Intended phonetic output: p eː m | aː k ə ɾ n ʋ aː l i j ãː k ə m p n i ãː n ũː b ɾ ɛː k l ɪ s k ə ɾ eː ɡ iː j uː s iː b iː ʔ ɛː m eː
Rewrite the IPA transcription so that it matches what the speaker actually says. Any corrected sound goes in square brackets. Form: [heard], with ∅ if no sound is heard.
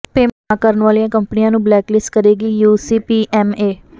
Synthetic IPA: p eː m | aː k ə ɾ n ʋ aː l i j ãː k ə m p n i ãː n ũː b [l] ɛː k l ɪ s k ə ɾ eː ɡ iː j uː s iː [p] iː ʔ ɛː m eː